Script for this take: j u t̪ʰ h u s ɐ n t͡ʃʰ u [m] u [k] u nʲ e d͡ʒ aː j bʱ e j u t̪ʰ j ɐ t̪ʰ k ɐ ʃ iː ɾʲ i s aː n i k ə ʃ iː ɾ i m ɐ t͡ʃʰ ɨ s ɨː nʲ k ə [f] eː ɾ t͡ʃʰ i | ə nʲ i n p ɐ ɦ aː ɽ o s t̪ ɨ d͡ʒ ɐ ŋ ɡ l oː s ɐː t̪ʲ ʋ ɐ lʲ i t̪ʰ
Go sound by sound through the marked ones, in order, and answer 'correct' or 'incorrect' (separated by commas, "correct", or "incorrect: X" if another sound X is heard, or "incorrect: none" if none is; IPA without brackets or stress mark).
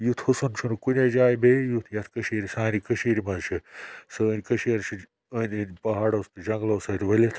incorrect: n, correct, incorrect: ʃ